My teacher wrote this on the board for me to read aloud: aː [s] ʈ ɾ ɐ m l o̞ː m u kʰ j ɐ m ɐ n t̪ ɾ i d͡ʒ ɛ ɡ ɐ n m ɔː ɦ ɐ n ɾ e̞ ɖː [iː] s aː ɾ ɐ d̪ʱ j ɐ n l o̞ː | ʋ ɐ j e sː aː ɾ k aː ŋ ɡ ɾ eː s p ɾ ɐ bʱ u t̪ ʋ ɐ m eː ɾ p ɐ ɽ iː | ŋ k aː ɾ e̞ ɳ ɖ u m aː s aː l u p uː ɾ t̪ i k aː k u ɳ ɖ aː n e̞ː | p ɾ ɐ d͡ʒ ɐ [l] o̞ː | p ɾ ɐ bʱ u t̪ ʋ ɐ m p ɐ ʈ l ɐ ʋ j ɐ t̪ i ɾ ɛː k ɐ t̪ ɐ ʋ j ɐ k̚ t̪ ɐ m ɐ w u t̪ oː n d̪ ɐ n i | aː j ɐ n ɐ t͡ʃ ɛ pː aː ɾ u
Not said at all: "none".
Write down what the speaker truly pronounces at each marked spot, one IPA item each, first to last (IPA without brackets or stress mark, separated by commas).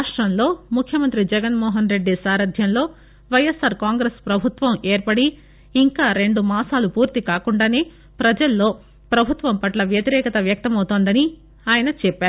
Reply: ʂ, i, lː